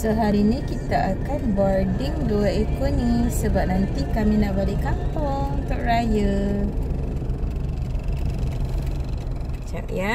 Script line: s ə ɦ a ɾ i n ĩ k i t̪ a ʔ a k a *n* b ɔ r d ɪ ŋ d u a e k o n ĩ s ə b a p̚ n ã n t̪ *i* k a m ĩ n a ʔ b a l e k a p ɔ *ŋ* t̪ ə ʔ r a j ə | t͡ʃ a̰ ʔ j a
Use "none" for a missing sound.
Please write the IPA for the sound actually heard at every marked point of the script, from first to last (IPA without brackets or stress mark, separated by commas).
n, i, ŋ